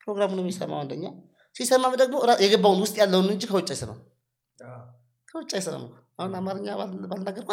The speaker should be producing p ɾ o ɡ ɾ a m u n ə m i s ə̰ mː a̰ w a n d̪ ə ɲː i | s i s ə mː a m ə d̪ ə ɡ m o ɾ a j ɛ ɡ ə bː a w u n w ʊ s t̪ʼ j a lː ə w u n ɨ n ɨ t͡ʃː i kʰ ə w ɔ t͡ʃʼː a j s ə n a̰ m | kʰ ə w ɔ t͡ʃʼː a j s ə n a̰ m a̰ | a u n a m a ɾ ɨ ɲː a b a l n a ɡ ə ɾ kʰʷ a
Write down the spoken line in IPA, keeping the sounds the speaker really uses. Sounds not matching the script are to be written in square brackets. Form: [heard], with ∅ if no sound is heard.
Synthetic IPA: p ɾ o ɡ ɾ a m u n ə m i s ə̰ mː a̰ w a n d̪ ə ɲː [a] | s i s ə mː a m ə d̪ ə ɡ m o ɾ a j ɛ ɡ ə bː a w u n w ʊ s t̪ʼ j a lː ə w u n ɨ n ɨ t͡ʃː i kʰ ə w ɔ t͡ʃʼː a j s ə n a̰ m | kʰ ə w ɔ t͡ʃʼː a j s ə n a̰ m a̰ | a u n a m a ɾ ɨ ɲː a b a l n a ɡ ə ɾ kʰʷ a